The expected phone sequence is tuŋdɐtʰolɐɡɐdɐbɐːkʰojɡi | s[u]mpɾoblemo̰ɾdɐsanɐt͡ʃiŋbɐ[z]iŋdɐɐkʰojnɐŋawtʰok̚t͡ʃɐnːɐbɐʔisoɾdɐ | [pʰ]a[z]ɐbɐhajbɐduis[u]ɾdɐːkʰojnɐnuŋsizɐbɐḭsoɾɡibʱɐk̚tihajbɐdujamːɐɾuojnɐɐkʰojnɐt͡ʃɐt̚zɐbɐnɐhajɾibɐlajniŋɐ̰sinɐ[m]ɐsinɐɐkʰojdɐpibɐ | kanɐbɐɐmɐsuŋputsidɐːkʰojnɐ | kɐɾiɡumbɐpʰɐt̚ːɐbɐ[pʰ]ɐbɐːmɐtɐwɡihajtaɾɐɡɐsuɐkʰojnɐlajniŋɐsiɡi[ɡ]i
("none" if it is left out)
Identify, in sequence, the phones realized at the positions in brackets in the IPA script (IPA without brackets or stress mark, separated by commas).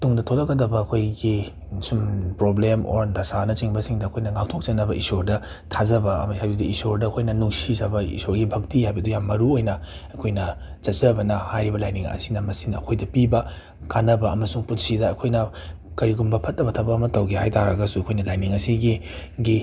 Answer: u, s, tʰ, z, o, m, tʰ, ɡ